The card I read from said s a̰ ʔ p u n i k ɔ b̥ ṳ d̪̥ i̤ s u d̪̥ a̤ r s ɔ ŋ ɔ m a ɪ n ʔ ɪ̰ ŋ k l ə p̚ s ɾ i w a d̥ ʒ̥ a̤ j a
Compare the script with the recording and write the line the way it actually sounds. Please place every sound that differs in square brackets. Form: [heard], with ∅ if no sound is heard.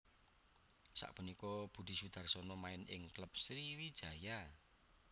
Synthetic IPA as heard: s a̰ ʔ p u n i k ɔ b̥ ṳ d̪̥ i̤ s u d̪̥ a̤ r s ɔ [n] ɔ m a ɪ n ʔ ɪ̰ ŋ k l ə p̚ s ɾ i w [i] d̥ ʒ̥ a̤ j a